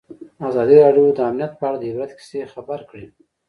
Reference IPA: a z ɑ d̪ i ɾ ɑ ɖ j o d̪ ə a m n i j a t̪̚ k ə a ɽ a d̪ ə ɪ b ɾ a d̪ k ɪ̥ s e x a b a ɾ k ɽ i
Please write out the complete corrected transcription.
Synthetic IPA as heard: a z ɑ d̪ i ɾ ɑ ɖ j o d̪ ə a m n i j a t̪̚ p ə a ɽ a d̪ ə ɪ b ɾ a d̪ k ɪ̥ s e x a b a ɾ k ɽ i